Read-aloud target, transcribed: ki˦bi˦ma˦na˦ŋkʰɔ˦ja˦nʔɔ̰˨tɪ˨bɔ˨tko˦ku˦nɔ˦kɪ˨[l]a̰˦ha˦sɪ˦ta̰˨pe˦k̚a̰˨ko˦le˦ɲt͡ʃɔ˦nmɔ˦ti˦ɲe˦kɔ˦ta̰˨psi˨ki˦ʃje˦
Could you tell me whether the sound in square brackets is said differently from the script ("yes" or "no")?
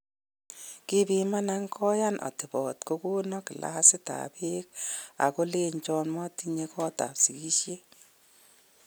no